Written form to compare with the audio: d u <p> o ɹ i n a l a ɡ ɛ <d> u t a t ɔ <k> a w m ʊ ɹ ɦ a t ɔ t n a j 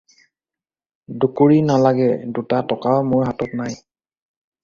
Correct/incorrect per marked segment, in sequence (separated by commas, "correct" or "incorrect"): incorrect, correct, correct